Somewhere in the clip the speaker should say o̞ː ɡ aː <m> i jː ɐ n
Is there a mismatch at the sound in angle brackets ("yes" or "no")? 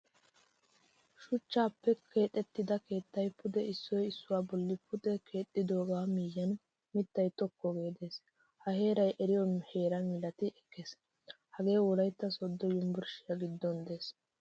no